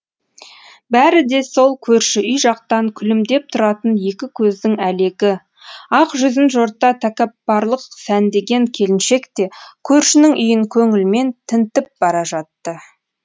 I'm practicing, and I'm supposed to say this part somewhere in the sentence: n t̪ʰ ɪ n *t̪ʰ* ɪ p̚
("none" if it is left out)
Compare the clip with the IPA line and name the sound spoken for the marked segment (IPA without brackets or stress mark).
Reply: t̪